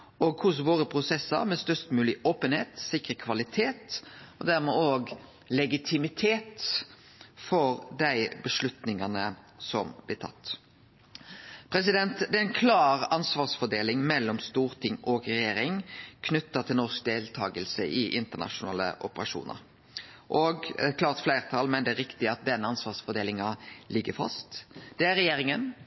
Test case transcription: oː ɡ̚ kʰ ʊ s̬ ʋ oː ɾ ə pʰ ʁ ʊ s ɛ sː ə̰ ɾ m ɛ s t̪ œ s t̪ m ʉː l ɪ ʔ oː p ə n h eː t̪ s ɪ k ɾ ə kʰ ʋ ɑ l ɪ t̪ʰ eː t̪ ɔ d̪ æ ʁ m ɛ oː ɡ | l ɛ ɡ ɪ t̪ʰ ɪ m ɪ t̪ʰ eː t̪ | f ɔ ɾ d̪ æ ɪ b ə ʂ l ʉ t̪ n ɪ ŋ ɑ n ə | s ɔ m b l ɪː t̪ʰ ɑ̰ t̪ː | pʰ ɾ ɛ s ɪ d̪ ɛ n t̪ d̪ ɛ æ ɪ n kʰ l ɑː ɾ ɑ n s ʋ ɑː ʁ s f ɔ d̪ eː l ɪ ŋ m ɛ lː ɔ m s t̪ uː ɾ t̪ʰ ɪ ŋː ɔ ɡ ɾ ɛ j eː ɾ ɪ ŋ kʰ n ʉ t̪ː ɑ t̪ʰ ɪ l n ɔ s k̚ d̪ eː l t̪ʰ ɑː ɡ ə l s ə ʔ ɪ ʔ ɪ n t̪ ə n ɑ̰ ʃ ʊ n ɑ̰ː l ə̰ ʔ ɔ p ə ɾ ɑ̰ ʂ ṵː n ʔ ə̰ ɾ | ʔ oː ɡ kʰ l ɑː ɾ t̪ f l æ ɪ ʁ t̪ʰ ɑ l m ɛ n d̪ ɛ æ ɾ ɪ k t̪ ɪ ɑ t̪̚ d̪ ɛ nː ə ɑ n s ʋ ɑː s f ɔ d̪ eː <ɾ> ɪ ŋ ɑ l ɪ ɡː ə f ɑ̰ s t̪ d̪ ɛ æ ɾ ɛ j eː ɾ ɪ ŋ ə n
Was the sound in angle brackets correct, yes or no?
no